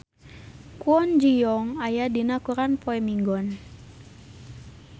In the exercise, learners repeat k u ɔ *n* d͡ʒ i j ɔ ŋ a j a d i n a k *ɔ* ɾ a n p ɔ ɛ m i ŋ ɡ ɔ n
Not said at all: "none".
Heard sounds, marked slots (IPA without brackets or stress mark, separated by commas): n, u